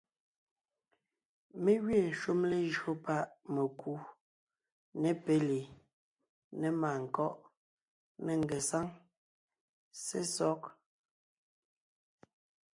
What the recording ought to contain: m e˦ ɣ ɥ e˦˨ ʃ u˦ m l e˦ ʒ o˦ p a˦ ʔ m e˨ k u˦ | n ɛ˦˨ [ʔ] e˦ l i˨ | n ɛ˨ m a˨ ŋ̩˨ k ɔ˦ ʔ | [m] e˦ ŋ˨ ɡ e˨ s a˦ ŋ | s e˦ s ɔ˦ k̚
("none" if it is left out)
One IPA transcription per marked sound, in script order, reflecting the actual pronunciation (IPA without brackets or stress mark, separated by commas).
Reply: p, n